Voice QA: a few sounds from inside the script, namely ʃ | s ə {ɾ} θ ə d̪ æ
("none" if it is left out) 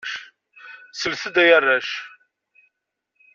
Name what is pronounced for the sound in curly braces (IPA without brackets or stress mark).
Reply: l